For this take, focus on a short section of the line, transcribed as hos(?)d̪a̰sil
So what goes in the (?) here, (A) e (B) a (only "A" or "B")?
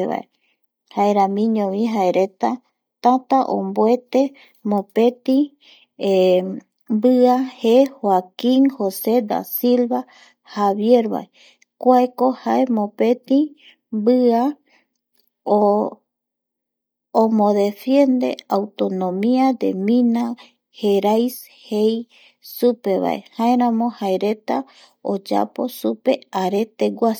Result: A